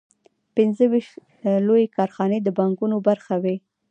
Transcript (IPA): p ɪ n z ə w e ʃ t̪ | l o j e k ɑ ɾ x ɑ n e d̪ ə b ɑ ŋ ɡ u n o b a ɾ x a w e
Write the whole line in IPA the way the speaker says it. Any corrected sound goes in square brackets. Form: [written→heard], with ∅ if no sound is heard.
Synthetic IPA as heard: p ɪ n z ə w [e→i] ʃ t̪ | l o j e k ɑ ɾ x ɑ n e d̪ ə b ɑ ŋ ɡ u n o b a ɾ x a w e

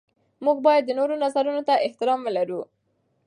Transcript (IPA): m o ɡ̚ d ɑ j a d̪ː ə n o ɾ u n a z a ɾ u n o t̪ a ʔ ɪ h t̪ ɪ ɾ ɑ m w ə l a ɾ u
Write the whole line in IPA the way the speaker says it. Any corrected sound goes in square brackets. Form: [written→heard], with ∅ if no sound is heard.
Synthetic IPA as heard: m [o→u] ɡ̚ [d→b] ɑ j a d̪ː ə n o ɾ [u→o] n a z a ɾ u n o t̪ a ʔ ɪ h t̪ ɪ ɾ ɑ m w ə l a ɾ u

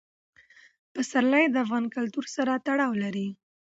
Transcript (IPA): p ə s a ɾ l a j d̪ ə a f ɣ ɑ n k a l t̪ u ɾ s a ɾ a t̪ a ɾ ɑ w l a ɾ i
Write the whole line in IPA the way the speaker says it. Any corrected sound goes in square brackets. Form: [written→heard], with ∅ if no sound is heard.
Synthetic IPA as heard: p ə s a ɾ l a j d̪ ə a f ɣ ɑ n k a l t̪ u ɾ s a ɾ a t̪ a [ɾ→ɽ] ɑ w l a ɾ i

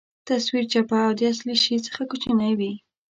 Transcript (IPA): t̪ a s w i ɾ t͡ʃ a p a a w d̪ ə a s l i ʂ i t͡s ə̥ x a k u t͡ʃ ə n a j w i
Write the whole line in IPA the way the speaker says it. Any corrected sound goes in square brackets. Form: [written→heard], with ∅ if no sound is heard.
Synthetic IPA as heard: t̪ a s w i ɾ t͡ʃ a p a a w d̪ ə a s l i [ʂ→ʃ] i t͡s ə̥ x a k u t͡ʃ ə n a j w i

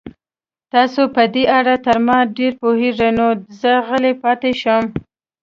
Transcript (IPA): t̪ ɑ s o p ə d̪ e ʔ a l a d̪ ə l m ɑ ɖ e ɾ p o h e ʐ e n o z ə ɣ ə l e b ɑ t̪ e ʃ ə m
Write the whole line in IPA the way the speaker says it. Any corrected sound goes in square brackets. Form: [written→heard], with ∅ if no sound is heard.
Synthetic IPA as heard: t̪ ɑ s o p ə d̪ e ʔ a [l→ɽ] a [d̪→t̪] ə [l→ɾ] m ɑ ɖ e ɾ p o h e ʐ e n o z ə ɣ ə l e [b→p] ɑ t̪ e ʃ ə m

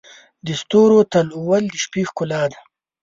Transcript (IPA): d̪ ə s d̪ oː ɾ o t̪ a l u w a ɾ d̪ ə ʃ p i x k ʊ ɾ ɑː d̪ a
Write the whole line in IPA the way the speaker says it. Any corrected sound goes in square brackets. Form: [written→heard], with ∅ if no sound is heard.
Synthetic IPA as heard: d̪ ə s [d̪→t̪] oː ɾ o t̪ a l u w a [ɾ→l] d̪ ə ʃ p i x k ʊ [ɾ→l] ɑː d̪ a

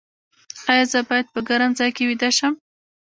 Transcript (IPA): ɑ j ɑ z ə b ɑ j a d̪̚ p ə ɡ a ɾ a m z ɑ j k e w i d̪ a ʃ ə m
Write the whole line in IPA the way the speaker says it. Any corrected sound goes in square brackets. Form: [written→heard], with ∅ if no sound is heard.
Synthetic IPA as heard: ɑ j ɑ z ə b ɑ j a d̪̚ p ə ɡ a ɾ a m z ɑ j k e w i d̪ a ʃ ə m

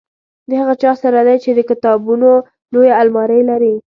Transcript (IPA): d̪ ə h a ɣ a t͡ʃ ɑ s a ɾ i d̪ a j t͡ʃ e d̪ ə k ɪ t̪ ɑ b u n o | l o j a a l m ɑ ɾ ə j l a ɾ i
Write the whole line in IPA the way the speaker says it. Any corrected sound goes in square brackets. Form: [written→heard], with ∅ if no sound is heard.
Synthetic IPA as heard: d̪ ə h a ɣ a t͡ʃ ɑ s a ɾ [i→a] d̪ a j t͡ʃ e d̪ ə k ɪ t̪ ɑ b u n o | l o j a a l m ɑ ɾ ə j l a ɾ i

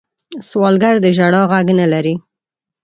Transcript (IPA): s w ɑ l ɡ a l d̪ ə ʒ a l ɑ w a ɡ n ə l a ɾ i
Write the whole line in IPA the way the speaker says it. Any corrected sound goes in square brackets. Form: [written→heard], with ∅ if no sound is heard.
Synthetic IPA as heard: s w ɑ l ɡ a [l→ɾ] d̪ ə ʒ a [l→ɽ] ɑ [w→ɣ] a ɡ n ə l a ɾ i

